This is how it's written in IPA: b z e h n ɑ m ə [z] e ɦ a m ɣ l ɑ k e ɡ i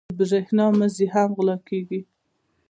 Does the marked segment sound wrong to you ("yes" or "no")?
no